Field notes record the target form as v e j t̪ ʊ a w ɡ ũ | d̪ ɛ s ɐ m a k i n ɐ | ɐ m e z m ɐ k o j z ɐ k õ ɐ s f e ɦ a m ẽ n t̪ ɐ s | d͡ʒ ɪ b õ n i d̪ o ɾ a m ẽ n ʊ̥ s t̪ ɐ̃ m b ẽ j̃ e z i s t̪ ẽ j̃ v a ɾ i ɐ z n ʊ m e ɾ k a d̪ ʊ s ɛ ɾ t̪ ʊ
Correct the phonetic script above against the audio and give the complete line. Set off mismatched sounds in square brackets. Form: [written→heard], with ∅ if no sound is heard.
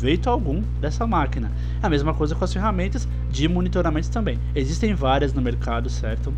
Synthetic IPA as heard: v e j t̪ ʊ a w ɡ ũ | d̪ ɛ s ɐ m a k i n ɐ | ɐ m e z m ɐ k o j z ɐ k õ ɐ s f e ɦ a m ẽ n t̪ ɐ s | d͡ʒ ɪ [b→m] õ n i [d̪→t̪] o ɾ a m ẽ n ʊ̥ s t̪ ɐ̃ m b ẽ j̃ e z i s t̪ ẽ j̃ v a ɾ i ɐ z n ʊ m e ɾ k a d̪ ʊ s ɛ ɾ t̪ ʊ